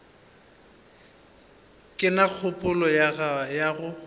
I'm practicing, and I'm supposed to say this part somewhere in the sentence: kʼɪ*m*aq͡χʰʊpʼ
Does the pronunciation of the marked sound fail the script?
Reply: yes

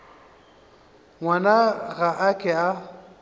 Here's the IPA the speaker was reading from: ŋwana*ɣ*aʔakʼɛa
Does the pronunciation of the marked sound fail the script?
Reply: no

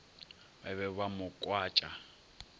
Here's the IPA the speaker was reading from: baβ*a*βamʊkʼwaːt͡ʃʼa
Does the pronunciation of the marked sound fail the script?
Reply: yes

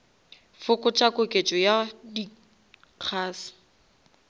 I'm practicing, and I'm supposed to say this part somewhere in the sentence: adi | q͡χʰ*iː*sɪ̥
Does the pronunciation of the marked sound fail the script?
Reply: yes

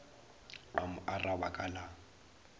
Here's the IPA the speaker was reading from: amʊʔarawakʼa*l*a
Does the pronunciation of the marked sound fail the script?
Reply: no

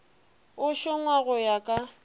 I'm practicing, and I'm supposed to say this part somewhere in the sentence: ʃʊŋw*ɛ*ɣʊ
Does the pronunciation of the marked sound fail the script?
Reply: yes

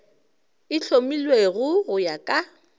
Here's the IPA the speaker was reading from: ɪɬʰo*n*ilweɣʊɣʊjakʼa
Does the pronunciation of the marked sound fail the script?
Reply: yes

